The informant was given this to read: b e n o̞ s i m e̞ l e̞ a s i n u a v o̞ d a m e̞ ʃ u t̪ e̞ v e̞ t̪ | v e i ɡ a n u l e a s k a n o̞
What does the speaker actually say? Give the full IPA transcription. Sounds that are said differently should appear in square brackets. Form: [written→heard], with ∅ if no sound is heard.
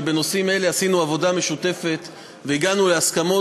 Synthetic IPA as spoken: b e n o̞ s i m e̞ l e̞ a s i n u a v o̞ d a m e̞ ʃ u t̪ e̞ [v→f] e̞ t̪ | v e i ɡ a n u l e a s k a [n→m] o̞